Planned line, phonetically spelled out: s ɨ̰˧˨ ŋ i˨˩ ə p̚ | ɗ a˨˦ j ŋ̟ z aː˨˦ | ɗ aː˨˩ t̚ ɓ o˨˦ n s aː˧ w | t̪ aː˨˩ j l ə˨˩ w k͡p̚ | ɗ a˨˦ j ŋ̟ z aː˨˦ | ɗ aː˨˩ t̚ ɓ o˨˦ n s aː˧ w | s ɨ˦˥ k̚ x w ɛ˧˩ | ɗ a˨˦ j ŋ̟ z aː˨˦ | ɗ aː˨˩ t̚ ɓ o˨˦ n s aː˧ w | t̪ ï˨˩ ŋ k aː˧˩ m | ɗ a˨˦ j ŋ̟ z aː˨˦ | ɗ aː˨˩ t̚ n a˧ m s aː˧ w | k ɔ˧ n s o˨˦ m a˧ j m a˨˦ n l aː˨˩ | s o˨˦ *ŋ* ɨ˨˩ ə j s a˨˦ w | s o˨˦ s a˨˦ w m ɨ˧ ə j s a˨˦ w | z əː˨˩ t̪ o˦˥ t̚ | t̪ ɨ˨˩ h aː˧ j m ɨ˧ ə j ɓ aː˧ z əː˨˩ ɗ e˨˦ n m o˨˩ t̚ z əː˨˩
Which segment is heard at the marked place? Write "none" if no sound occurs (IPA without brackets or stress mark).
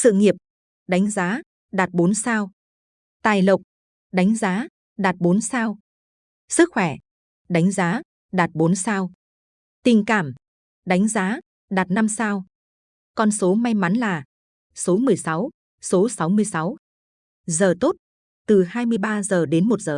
m